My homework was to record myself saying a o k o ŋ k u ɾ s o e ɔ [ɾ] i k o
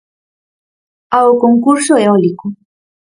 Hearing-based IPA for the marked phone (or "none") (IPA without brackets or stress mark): l